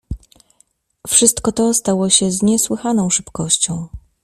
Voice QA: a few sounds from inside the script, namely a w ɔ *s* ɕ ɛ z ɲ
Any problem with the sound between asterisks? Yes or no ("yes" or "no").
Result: yes